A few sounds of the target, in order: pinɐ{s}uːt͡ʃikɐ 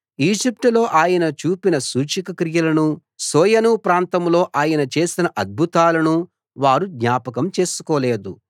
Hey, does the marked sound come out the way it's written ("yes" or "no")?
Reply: yes